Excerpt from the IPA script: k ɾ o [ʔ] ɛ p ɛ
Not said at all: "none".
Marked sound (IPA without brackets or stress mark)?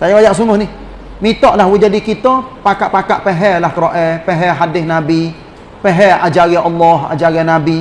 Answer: ʔ